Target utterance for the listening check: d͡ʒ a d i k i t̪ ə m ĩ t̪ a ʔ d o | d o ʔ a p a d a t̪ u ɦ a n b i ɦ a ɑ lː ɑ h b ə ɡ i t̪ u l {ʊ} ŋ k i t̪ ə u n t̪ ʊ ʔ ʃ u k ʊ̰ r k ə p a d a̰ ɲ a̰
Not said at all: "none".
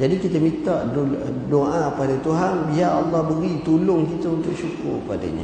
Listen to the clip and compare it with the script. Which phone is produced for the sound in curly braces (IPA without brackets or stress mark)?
ʊ